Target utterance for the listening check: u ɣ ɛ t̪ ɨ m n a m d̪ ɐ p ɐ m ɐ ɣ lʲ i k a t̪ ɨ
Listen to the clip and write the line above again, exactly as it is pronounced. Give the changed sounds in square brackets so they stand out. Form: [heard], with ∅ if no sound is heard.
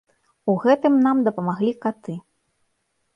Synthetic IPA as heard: u ɣ ɛ t̪ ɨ m n a m d̪ ɐ p ɐ m [a] ɣ lʲ i k a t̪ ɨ